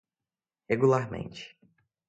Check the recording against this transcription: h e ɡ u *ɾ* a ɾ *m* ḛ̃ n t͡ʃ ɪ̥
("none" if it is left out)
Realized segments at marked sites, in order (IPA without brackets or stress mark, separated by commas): l, m